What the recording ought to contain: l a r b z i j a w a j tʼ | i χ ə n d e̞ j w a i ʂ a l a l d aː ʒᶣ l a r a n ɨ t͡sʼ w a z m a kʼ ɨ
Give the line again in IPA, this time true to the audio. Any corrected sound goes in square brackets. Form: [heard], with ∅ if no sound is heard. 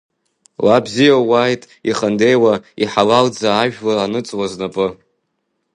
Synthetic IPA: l a [∅] b z i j a w a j tʼ | i χ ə n d e̞ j w a i [ħ] a l a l [d͡z] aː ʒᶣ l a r a n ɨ t͡sʼ w a z [n] a [pʼ] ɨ